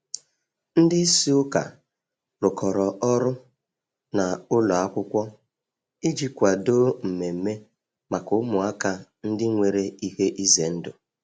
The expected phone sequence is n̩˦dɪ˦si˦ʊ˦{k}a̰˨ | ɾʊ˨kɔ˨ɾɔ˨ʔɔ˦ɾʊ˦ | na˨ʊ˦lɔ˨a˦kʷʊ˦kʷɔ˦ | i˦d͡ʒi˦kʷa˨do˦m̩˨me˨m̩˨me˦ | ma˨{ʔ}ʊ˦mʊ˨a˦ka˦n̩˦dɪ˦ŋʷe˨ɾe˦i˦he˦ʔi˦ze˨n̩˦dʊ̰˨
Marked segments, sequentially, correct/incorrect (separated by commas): correct, incorrect